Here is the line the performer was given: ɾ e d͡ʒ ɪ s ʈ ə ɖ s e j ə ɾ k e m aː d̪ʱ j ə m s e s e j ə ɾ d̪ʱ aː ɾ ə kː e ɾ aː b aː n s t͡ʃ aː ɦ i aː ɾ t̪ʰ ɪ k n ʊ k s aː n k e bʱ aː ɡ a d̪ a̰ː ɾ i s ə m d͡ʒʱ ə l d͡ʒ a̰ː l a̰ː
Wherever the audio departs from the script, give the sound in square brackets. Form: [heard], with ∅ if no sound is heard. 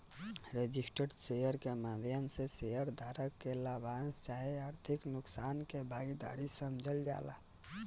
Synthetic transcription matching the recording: ɾ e d͡ʒ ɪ s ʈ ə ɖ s e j ə ɾ k e m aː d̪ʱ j ə m s e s e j ə ɾ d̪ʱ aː ɾ ə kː e [l] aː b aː n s t͡ʃ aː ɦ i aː ɾ t̪ʰ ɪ k n ʊ k s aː n k e bʱ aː ɡ [i] d̪ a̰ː ɾ i s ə m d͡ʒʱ ə l d͡ʒ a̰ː l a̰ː